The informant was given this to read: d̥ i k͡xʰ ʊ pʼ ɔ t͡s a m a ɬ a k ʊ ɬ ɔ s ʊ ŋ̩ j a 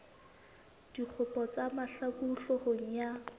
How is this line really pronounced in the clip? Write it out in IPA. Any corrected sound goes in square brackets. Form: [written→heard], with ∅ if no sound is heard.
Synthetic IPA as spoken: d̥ i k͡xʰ ʊ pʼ ɔ t͡s a m a ɬ a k [ʊ→u] ɬ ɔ [s→h] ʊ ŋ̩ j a